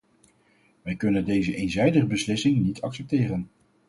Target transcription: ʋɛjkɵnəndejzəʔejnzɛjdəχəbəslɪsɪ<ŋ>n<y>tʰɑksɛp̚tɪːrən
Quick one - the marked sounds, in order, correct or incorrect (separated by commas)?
correct, incorrect